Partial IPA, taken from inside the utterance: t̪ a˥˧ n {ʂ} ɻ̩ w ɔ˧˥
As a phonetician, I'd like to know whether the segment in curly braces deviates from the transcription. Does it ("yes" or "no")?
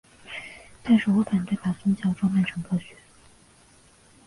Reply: no